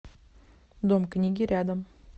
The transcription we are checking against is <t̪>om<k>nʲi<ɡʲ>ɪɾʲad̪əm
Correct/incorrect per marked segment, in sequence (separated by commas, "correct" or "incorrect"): incorrect, correct, correct